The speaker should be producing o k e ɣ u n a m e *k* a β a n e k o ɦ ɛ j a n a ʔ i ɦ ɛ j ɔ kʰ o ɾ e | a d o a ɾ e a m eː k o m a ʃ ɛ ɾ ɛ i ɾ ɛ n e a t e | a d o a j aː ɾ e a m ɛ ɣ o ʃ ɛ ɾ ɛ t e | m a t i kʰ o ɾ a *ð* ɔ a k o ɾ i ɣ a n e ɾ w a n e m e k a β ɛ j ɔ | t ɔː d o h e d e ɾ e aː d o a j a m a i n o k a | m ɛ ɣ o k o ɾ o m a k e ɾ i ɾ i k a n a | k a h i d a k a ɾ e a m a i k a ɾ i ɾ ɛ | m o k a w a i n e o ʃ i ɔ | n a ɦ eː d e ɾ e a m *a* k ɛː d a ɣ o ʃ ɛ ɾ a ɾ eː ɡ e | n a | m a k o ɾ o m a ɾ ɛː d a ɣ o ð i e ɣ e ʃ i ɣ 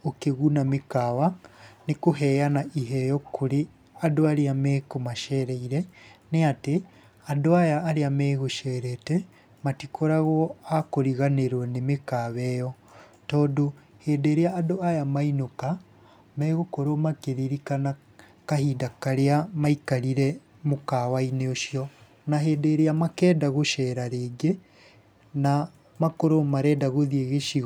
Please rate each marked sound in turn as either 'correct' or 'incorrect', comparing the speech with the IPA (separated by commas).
correct, incorrect, correct